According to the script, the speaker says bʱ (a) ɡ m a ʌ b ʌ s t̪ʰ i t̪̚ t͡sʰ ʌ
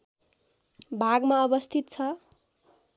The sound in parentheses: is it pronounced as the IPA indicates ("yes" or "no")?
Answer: yes